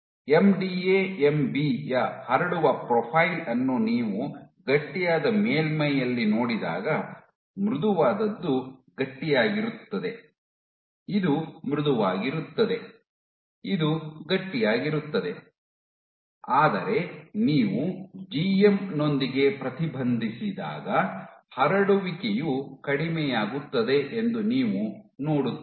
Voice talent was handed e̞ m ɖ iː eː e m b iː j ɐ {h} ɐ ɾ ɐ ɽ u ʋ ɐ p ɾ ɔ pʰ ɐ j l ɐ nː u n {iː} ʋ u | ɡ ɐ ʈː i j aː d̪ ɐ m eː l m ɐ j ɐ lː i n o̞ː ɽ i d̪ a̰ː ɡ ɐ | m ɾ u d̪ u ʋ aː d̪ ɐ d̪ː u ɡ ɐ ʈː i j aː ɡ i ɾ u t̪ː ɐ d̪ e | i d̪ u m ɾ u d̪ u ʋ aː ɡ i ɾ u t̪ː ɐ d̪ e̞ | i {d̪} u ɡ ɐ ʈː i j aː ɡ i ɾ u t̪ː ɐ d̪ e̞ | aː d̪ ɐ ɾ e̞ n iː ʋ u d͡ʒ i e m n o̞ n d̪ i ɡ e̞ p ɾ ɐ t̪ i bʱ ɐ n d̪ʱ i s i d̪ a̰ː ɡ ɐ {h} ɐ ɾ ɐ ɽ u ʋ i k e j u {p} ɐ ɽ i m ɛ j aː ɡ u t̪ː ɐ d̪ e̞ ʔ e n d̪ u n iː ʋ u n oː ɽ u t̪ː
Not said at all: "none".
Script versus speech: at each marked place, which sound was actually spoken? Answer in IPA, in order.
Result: h, iː, d̪, h, k

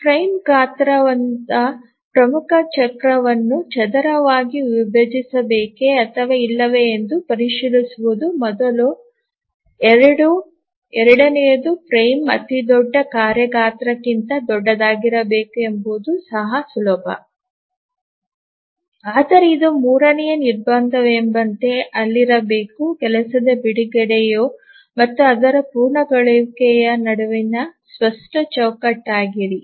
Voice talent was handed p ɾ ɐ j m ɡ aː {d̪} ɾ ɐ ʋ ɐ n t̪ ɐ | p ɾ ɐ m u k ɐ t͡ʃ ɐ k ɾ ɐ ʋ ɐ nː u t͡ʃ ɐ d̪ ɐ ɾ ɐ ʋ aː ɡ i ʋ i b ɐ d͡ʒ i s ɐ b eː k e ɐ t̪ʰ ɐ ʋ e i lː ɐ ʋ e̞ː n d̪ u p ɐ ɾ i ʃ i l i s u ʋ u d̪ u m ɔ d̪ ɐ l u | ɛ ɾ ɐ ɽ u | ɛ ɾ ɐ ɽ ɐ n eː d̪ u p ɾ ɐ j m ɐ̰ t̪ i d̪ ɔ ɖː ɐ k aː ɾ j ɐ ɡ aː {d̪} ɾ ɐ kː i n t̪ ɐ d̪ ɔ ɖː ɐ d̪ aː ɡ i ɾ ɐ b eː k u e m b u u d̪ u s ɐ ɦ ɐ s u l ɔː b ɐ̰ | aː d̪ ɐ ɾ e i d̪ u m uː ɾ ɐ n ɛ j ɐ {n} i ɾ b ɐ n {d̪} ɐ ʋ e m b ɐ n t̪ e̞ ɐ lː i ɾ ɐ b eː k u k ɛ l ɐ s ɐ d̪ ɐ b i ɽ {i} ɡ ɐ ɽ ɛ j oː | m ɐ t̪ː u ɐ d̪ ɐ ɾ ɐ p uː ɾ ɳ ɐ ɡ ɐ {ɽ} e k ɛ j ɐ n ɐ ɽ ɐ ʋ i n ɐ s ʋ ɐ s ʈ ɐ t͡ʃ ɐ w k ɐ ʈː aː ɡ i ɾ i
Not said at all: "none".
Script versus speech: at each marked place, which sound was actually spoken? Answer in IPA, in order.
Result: t̪, t̪, n, d̪, i, ɭ

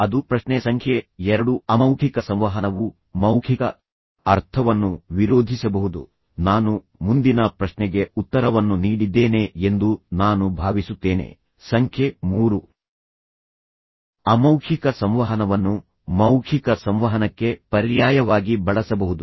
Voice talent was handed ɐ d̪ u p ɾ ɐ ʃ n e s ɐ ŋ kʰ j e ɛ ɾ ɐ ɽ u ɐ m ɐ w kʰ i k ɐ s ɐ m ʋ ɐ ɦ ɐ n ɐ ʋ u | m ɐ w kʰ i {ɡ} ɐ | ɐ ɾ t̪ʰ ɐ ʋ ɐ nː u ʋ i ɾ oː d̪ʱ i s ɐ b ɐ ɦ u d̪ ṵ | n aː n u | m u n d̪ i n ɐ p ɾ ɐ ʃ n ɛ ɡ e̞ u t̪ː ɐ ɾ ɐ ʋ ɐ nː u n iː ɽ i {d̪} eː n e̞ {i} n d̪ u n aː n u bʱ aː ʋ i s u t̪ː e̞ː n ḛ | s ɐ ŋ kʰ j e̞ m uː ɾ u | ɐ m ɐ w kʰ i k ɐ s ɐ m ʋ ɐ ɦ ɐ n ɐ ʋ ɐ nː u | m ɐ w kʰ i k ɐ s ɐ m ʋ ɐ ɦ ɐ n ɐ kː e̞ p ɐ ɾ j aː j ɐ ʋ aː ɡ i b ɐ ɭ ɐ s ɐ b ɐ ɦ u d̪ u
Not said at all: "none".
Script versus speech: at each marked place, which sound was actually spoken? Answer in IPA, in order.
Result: k, d̪ː, e

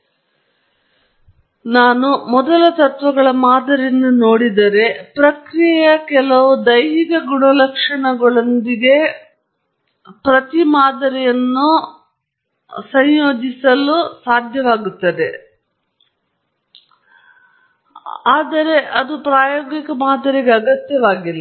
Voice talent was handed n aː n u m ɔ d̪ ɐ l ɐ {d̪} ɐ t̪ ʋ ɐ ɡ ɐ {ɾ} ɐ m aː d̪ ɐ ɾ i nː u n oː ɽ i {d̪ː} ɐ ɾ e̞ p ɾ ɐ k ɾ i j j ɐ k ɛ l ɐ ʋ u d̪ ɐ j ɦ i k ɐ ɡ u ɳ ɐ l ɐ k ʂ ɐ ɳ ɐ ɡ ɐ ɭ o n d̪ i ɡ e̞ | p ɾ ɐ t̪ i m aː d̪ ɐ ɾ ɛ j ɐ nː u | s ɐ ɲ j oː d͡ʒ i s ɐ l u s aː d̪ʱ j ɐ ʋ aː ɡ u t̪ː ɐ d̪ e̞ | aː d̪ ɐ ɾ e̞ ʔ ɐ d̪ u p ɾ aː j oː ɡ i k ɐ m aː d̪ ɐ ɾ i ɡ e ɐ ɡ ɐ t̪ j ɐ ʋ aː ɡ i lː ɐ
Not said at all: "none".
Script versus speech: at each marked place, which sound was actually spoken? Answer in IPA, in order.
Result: t̪, ɭ, d̪

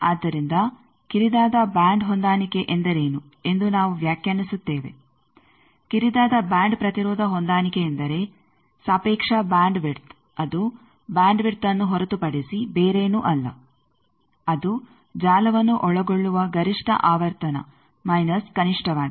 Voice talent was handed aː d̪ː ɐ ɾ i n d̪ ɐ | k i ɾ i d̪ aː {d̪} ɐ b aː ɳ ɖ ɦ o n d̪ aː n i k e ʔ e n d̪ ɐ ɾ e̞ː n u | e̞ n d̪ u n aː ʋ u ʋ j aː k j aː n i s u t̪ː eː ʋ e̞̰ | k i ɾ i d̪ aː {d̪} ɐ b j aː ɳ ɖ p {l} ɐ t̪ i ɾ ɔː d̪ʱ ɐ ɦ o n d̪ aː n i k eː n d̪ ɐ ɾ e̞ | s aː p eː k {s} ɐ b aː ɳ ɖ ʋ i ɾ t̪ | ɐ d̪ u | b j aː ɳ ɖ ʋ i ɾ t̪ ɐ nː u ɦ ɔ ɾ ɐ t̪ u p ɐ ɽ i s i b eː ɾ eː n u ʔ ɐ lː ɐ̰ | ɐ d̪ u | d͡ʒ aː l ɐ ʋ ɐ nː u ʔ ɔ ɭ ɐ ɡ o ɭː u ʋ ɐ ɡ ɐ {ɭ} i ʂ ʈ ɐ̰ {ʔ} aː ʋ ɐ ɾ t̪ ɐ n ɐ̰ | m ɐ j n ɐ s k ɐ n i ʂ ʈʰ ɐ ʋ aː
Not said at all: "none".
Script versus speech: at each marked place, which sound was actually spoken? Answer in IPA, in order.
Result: d̪, d̪, ɾ, ʂ, ɾ, ʔ

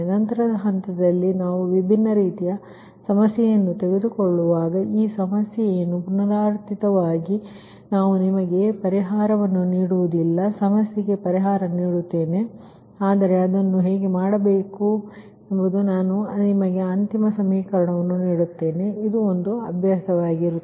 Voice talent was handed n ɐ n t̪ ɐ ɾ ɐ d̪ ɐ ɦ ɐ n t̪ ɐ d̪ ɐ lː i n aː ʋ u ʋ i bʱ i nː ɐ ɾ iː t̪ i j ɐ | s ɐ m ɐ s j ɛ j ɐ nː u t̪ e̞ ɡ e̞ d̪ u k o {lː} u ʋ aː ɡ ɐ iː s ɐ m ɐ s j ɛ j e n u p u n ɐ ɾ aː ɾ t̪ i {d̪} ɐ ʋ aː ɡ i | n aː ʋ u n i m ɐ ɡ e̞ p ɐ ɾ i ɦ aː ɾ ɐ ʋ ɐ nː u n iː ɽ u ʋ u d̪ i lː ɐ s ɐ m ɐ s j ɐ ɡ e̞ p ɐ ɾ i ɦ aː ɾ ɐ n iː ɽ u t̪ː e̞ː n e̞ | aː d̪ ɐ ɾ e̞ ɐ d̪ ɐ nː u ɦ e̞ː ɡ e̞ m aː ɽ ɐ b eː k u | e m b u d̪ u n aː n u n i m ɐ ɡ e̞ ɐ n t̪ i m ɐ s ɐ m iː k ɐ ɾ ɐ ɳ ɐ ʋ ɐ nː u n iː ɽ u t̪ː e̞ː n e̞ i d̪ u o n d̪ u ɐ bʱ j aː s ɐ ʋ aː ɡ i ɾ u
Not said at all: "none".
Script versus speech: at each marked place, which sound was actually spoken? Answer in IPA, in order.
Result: ɭː, t̪

